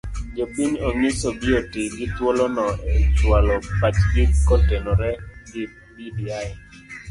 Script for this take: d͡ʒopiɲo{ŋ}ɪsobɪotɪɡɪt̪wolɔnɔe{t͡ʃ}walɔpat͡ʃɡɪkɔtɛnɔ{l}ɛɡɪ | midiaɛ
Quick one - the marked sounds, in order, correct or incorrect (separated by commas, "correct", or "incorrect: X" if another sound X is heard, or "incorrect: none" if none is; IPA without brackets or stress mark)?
correct, correct, incorrect: ɾ